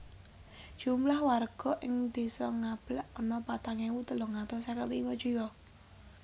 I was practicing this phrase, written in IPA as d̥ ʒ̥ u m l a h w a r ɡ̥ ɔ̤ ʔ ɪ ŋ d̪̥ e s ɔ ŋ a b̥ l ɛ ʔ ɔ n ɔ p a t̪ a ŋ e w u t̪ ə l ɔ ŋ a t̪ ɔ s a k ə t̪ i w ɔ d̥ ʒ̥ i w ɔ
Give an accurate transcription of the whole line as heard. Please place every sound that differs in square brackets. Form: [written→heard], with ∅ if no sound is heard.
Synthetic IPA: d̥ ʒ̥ u m l a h w a r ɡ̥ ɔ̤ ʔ ɪ ŋ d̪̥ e s ɔ ŋ a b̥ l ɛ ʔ ɔ n ɔ p a t̪ a ŋ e w u t̪ ə l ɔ ŋ a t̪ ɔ s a k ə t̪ i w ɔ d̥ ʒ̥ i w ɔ

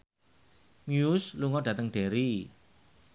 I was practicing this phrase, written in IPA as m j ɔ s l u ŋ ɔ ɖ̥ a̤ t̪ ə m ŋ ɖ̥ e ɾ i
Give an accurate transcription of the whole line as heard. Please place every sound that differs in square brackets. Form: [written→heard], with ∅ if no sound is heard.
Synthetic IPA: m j [ɔ→u] s l u ŋ ɔ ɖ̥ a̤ t̪ ə [m→∅] ŋ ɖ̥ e ɾ i

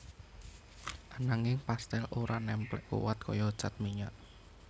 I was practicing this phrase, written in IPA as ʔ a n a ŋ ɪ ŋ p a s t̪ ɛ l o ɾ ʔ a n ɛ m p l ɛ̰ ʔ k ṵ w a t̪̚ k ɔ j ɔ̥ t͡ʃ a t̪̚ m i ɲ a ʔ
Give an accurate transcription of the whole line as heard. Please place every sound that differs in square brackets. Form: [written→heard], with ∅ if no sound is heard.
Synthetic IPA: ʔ a n a ŋ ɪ ŋ p a s t̪ ɛ l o ɾ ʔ a n ɛ m p l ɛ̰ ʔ k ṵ w a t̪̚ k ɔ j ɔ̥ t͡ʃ a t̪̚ m i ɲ a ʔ

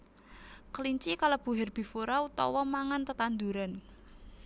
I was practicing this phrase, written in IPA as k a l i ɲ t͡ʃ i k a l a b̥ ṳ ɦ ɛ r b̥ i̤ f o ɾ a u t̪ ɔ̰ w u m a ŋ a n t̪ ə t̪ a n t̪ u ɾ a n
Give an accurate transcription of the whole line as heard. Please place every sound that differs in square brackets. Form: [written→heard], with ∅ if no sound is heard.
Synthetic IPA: k [a→ə] l i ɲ t͡ʃ i k a l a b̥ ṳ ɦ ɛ r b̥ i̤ f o ɾ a u t̪ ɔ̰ w [u→ɔ] m a ŋ a n t̪ ə t̪ a n [t̪→d̪] u ɾ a n

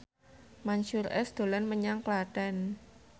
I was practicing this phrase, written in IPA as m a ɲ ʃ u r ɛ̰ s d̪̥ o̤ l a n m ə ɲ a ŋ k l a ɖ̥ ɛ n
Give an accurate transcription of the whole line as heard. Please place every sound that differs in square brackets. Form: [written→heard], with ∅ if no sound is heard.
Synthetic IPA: m a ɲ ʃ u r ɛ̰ s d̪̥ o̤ l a n m ə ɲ a ŋ k l a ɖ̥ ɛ n

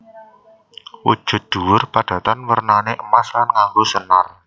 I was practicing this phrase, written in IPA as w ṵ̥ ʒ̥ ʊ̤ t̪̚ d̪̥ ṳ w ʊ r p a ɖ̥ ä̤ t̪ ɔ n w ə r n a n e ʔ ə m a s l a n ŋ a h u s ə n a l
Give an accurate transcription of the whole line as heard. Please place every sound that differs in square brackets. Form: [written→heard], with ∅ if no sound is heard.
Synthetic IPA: w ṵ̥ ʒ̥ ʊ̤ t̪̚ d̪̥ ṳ w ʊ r p a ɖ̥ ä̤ t̪ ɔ n w ə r n a n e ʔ ə m a s l a n ŋ a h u s ə n a [l→r]

